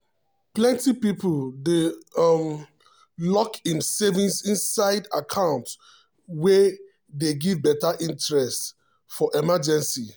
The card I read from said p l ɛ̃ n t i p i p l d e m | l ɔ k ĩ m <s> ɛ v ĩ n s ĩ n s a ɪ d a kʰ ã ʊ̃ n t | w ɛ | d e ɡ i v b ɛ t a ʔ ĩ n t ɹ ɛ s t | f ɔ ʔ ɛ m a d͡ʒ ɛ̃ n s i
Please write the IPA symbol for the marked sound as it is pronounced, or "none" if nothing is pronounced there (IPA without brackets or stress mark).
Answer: s